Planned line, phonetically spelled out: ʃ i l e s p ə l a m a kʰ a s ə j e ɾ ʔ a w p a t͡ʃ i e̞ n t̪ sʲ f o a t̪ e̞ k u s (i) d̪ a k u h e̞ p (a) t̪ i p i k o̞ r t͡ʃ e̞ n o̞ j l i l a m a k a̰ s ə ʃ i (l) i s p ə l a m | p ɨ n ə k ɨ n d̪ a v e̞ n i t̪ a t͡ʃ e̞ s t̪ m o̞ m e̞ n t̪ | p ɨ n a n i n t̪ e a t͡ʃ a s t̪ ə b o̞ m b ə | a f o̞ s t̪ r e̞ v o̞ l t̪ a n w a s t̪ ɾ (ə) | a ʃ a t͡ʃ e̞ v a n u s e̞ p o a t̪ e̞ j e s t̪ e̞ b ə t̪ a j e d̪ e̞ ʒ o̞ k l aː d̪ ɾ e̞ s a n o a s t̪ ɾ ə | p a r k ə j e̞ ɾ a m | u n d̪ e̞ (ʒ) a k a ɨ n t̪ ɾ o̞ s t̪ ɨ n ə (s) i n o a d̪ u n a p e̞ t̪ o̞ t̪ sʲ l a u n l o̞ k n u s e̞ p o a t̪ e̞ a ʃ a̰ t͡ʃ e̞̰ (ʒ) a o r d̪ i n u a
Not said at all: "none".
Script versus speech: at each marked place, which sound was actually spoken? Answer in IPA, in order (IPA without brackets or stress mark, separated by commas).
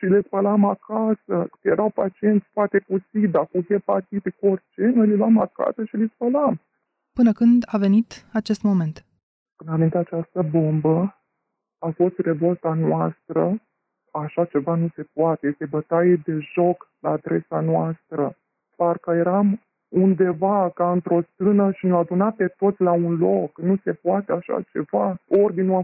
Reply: i, a, l, ə, v, ʃ, v